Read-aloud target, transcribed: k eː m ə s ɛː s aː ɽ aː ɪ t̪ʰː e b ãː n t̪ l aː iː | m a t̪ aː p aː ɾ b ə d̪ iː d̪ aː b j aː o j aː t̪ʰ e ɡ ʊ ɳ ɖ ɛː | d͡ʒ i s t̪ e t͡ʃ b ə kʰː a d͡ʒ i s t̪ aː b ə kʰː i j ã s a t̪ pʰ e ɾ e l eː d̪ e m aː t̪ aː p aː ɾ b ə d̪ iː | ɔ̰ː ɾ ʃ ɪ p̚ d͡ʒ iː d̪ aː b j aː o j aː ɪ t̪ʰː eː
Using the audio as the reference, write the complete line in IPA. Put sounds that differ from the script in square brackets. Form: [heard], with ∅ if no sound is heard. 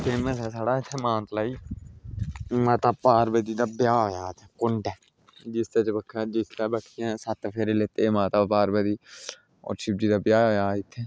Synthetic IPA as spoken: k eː m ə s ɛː s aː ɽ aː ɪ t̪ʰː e [m] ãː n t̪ l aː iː | m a t̪ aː p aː ɾ b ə d̪ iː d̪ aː b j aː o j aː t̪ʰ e [k] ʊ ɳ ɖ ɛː | d͡ʒ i s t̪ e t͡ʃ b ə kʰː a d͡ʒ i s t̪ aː b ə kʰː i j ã s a t̪ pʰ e ɾ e l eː [t̪] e m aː t̪ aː p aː ɾ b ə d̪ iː | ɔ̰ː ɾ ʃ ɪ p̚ d͡ʒ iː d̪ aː b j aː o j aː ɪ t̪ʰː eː